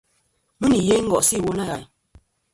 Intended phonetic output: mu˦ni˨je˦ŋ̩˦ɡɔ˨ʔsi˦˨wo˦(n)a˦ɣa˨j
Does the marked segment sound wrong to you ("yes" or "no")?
no